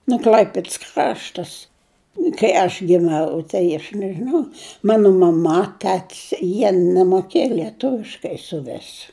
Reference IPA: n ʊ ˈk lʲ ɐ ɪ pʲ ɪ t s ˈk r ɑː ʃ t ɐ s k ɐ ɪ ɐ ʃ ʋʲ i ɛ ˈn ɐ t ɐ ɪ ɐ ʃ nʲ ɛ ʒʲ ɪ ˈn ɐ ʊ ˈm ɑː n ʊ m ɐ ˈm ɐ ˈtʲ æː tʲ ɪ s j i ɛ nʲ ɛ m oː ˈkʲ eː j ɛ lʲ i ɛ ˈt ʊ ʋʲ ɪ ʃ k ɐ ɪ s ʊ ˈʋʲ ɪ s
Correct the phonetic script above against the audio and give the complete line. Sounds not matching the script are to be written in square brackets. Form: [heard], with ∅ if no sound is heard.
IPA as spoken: n ʊ ˈk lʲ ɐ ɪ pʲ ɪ t s ˈk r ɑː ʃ t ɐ s k ɐ ɪ ɐ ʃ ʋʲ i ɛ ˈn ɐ t ɐ ɪ ɐ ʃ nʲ ɛ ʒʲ ɪ ˈn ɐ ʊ ˈm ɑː n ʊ m ɐ ˈm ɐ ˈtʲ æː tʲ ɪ s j i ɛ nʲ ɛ m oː ˈkʲ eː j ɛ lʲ i ɛ ˈt ʊ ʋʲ ɪ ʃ k ɐ ɪ s ʊ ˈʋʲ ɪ s